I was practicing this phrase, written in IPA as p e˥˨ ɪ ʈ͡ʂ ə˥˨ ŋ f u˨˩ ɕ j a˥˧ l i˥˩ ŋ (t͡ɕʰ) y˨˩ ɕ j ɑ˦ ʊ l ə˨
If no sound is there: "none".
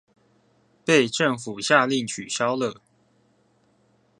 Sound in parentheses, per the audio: t͡ɕʰ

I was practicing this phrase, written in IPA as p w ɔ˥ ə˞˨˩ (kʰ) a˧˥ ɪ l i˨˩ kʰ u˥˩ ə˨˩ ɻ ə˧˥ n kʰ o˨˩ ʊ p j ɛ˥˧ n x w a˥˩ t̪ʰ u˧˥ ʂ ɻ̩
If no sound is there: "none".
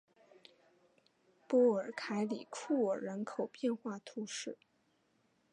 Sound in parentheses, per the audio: kʰ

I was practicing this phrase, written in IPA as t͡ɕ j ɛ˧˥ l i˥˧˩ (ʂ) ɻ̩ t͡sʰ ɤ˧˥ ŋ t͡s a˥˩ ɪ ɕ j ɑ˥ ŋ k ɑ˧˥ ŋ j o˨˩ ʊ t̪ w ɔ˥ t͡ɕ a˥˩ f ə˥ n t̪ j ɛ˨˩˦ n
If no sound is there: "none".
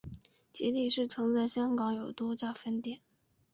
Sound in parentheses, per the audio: ʂ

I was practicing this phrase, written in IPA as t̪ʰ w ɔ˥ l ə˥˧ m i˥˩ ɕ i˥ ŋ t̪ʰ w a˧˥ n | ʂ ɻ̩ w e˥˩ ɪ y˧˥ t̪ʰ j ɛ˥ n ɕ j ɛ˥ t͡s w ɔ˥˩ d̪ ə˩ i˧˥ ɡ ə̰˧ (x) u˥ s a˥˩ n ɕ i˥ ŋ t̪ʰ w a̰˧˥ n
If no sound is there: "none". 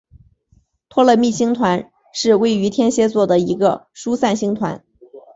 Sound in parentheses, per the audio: ʂ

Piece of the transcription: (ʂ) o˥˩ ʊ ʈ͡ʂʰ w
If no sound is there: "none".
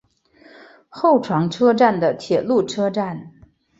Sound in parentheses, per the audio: x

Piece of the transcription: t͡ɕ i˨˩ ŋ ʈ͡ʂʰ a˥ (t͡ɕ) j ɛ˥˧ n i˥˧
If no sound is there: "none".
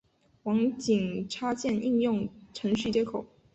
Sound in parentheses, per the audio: t͡ɕ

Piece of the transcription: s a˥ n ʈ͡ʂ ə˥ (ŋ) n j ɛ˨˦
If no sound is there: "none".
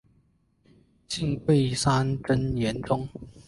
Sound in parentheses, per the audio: none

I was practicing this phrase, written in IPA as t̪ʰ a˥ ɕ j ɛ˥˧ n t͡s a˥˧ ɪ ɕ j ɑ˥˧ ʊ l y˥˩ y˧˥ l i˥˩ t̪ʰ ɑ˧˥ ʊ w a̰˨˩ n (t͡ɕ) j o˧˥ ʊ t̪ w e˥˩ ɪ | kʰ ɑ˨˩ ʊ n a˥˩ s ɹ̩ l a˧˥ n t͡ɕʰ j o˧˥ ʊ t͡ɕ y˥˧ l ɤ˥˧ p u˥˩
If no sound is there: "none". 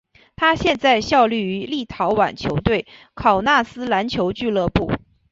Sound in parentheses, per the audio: t͡ɕʰ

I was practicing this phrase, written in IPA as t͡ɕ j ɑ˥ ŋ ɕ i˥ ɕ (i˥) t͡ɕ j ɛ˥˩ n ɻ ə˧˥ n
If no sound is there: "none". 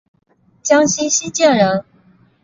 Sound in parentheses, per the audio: i˥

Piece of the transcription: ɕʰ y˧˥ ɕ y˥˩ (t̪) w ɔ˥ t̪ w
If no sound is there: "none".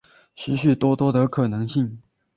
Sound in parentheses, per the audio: t̪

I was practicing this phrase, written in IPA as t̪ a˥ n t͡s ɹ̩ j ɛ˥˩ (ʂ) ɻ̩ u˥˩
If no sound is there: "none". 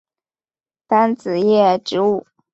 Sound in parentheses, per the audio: ʈ͡ʂ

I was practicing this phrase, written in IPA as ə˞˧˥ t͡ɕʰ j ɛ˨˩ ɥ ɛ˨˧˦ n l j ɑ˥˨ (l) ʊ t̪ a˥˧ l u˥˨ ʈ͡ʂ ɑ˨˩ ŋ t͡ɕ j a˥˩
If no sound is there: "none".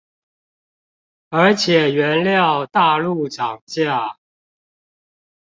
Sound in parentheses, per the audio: none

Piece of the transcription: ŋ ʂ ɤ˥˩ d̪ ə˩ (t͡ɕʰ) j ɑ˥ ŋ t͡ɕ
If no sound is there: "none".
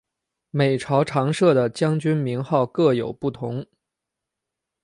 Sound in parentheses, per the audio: t͡ɕ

